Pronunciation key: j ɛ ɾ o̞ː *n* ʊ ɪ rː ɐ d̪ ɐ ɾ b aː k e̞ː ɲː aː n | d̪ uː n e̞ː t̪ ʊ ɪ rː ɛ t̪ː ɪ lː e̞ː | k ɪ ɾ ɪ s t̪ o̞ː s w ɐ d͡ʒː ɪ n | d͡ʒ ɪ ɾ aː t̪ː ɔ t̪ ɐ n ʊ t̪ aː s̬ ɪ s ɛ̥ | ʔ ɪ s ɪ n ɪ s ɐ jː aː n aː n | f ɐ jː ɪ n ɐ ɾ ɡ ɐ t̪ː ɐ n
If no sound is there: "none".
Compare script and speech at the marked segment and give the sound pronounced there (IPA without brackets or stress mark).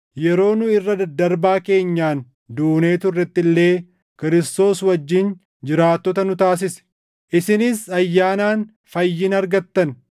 n